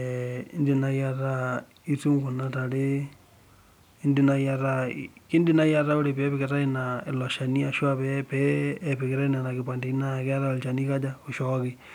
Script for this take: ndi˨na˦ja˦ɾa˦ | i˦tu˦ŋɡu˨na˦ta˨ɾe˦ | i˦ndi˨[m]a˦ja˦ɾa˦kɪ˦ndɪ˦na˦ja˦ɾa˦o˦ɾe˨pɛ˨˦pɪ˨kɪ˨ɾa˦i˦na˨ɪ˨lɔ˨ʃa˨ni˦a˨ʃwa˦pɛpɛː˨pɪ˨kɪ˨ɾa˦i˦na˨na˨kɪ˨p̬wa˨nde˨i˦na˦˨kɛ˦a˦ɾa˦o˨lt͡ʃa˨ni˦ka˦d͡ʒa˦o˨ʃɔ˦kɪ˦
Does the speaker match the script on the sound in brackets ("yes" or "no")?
no